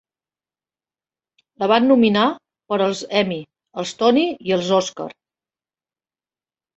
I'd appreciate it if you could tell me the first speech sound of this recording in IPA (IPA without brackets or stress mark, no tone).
l